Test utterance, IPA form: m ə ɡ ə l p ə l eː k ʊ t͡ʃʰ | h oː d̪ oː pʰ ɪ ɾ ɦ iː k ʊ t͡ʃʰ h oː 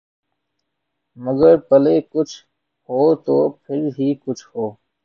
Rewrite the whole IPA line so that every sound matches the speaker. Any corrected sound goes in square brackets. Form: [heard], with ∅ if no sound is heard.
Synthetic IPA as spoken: m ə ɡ ə [ɾ] p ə l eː k ʊ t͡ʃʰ | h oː [t̪] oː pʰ ɪ ɾ ɦ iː k ʊ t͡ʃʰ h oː